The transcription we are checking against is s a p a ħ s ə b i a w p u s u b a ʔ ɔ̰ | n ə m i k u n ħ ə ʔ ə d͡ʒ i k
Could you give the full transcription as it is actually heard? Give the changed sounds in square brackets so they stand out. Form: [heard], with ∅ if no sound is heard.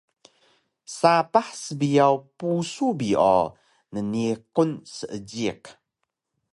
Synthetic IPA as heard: s a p a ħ s ə b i a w p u s u b [i] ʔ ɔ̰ | n ə [n] i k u n [s] ə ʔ ə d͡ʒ i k